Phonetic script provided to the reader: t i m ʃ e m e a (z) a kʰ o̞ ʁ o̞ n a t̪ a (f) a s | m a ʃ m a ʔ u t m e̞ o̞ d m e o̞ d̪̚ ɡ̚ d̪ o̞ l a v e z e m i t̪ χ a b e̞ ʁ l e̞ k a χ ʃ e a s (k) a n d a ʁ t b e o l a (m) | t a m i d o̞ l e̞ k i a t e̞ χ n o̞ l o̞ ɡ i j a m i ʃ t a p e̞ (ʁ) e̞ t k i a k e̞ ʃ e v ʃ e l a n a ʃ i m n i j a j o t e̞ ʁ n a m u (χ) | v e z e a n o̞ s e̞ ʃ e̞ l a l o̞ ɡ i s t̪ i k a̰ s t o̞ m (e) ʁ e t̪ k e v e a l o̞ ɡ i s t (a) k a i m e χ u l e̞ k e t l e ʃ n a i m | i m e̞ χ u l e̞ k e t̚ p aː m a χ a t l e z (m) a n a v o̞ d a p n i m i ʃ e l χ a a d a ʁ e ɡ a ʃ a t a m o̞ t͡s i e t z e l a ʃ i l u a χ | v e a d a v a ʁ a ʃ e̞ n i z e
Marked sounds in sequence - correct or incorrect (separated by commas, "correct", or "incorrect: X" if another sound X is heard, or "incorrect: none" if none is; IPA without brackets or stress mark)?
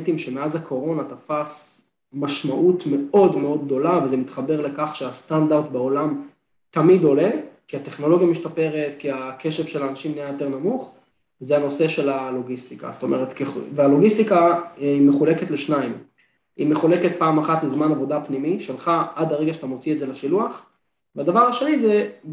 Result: correct, correct, incorrect: t, correct, correct, correct, correct, incorrect: i, correct